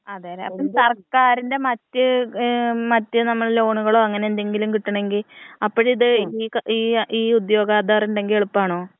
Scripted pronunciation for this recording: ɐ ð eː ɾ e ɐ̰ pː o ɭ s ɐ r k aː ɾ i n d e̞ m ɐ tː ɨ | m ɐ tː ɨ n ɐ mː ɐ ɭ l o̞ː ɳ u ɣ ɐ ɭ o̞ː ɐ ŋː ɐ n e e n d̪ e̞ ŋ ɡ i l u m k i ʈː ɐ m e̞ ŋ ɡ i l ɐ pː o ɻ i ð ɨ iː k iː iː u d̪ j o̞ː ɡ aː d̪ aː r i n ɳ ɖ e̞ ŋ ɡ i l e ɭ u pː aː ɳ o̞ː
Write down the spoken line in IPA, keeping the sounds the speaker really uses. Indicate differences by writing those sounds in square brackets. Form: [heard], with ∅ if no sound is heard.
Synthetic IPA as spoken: ɐ ð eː ɾ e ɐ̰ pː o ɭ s ɐ r k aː ɾ i n d e̞ m ɐ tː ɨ | m ɐ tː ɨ n ɐ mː ɐ ɭ l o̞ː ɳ u ɣ ɐ ɭ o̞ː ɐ ŋː ɐ n e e n d̪ e̞ ŋ ɡ i l u m k i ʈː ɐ [ɳ] e̞ ŋ ɡ i l ɐ pː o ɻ i ð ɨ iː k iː iː u d̪ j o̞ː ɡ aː d̪ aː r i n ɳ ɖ e̞ ŋ ɡ i l e ɭ u pː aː ɳ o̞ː